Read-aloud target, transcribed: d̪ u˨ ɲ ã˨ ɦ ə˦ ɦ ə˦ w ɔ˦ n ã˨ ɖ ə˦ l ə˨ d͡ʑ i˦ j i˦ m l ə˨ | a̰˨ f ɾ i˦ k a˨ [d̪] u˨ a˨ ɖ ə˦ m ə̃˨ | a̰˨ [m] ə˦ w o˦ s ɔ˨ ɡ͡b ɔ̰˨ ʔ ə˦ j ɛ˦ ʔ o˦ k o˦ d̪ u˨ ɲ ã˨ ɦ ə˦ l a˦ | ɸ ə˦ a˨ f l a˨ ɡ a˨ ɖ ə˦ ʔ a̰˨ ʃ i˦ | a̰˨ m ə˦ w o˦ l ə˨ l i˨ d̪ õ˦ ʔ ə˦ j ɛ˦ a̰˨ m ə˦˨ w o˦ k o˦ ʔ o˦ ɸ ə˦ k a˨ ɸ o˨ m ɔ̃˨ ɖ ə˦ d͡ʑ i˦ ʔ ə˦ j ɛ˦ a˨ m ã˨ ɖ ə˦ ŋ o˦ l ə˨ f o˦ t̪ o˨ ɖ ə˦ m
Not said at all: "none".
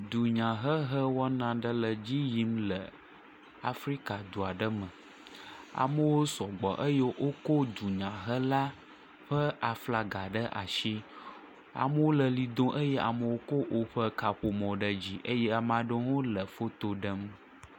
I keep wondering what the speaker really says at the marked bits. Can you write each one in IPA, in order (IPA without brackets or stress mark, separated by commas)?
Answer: d̪, m